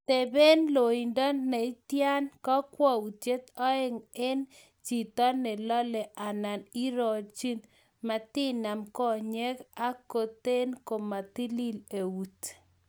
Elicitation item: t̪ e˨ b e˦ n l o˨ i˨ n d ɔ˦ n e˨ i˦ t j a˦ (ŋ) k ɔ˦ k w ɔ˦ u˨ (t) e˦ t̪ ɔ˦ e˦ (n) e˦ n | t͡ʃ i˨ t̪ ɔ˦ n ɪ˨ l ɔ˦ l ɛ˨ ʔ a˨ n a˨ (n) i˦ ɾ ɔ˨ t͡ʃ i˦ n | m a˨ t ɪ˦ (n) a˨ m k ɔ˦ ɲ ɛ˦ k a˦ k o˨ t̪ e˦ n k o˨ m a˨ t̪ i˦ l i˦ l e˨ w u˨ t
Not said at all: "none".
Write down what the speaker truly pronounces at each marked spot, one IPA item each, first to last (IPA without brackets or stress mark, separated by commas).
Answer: n, t͡ʃ, ŋ, n, n